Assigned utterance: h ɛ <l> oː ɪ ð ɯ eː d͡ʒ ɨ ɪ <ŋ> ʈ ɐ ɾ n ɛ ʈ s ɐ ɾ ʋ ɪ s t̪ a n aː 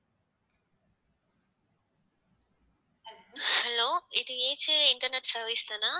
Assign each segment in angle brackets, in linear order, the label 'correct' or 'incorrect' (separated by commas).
correct, incorrect